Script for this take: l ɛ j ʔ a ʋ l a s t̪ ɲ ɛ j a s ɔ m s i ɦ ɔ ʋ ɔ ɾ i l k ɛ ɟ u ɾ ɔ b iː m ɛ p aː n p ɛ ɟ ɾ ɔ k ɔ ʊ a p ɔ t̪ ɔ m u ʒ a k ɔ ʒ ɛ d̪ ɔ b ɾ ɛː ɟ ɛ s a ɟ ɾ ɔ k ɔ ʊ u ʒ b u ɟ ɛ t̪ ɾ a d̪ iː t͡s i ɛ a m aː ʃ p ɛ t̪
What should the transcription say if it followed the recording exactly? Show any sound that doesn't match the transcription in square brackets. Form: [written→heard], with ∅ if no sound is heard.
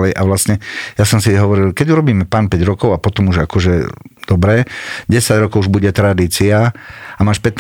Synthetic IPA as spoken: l ɛ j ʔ a ʋ l a s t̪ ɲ ɛ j a s ɔ m s i ɦ ɔ ʋ ɔ ɾ i l k ɛ ɟ u ɾ ɔ b iː m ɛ p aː n p ɛ ɟ ɾ ɔ k ɔ ʊ a p ɔ t̪ ɔ m u ʒ a k ɔ ʒ ɛ d̪ ɔ b ɾ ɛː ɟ ɛ s a ɟ ɾ ɔ k ɔ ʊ u ʒ b u ɟ ɛ t̪ ɾ a d̪ iː t͡s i [ɛ→a] a m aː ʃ p ɛ t̪